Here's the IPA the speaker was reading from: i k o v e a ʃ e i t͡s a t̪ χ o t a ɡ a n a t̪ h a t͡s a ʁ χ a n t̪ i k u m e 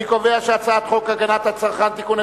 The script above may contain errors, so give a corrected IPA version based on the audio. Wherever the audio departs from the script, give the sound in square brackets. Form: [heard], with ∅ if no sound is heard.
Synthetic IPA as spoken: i k o v e a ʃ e [a] t͡s a t̪ χ o [k] a ɡ a n a t̪ h a t͡s a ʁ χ a n t̪ i k u [n] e